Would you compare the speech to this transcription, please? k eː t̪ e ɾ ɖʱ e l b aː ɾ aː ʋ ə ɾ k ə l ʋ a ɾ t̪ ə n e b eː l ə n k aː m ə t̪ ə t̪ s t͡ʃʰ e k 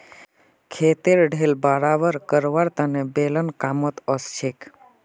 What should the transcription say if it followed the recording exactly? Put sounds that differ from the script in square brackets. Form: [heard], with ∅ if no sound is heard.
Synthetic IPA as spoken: [kʰ] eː t̪ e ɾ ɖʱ e l b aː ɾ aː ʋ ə ɾ k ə [ɾ] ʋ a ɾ t̪ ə n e b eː l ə n k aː m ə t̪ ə [∅] s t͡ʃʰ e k